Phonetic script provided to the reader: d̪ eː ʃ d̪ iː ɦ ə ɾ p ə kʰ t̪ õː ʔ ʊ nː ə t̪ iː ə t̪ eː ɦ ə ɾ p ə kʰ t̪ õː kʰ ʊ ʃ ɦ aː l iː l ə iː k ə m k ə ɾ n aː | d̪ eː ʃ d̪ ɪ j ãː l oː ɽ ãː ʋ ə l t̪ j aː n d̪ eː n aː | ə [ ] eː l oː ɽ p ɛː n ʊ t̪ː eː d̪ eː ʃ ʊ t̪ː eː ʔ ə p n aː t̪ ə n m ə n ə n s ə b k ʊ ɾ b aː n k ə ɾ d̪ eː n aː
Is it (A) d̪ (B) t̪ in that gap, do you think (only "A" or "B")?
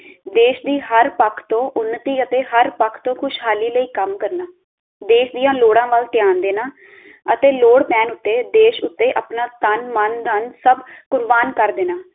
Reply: B